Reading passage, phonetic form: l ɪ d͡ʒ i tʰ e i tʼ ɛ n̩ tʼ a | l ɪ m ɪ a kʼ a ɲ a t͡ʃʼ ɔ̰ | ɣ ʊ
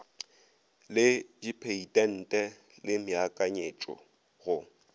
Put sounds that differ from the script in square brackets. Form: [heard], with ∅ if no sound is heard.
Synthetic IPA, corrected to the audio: l ɪ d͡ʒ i [pʰ] e i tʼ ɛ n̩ tʼ [ɛ] | l ɪ m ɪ a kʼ a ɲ [e] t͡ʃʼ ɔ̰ | ɣ ʊ

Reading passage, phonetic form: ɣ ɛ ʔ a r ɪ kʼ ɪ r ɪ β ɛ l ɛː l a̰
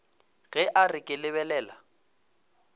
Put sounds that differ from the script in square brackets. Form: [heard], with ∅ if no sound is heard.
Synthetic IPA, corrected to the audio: ɣ ɛ ʔ a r ɪ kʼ ɪ [l] ɪ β ɛ l ɛː l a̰

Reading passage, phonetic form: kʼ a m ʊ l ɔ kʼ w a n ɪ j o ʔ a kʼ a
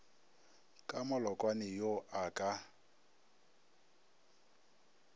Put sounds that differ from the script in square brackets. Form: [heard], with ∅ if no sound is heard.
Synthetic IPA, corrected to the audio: kʼ a m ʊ l ɔ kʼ w a n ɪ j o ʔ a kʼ a

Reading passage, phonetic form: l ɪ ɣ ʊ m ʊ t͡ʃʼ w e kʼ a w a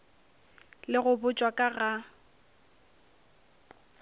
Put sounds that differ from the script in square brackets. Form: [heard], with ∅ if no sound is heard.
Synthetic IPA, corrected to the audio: l ɪ ɣ ʊ [b] ʊ t͡ʃʼ w [a] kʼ a [ɣ] a

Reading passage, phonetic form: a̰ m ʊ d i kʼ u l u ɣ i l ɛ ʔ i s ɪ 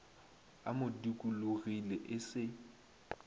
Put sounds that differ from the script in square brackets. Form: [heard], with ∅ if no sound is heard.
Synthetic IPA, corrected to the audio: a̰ m ʊ d i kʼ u l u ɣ i l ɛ ʔ [ɪ] s ɪ

